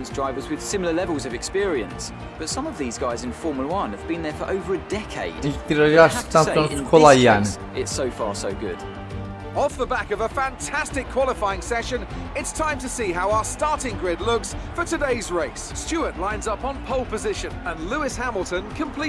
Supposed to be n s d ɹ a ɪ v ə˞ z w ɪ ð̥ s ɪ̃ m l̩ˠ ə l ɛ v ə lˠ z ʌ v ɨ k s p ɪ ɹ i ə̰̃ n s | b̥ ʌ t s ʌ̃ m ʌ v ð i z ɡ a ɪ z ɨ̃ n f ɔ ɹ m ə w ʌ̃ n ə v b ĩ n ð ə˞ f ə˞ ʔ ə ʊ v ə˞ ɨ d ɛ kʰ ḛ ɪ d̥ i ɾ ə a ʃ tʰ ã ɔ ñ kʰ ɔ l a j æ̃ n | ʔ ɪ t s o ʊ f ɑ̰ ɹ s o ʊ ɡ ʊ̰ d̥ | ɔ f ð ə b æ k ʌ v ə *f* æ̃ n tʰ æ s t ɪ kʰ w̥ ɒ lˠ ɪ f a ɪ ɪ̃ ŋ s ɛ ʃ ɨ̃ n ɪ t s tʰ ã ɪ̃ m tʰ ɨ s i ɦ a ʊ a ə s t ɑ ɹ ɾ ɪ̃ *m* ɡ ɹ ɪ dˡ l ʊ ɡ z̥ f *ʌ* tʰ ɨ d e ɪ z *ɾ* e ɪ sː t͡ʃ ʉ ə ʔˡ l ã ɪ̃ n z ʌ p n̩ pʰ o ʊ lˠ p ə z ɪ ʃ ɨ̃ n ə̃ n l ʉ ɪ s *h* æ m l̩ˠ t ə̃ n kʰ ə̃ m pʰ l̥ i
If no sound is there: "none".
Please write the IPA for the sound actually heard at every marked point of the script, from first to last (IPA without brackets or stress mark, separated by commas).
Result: f, ŋ, ə, ɹ, h